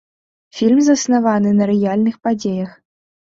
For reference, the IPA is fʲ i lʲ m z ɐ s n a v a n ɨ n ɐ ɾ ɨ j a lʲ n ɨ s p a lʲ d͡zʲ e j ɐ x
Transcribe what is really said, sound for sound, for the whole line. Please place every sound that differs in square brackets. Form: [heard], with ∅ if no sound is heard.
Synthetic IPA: fʲ i lʲ m z ɐ s n a v a n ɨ n ɐ ɾ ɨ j a lʲ n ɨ [x] p a [∅] d͡zʲ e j ɐ x